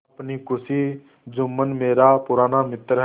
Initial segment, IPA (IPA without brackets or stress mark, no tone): p